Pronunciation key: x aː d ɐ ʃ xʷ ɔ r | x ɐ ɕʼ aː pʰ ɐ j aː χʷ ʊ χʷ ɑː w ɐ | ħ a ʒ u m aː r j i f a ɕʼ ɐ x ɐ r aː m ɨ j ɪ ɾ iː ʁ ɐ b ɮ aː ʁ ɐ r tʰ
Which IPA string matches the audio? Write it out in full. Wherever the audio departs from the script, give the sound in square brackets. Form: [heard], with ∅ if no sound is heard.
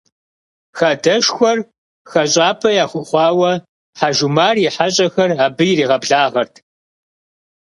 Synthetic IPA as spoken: x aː d ɐ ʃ xʷ ɔ r | x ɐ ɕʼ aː pʰ ɐ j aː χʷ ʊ χʷ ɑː w ɐ | ħ a ʒ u m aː r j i [ħ] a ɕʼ ɐ x ɐ r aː [b] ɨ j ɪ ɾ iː ʁ ɐ b ɮ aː ʁ ɐ r tʰ